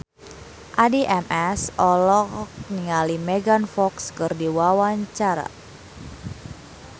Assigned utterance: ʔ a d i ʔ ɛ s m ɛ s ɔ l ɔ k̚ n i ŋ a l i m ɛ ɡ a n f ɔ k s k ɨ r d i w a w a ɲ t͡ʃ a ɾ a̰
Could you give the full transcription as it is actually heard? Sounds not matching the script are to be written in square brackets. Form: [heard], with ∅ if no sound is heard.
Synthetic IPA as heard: ʔ a d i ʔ ɛ [∅] m ɛ s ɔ l ɔ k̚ n i ŋ a l i m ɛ ɡ a n f ɔ k s k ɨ r d i w a w a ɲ t͡ʃ a ɾ a̰